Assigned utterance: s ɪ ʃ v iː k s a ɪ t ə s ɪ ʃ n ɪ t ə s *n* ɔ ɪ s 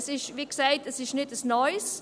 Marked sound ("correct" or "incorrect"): correct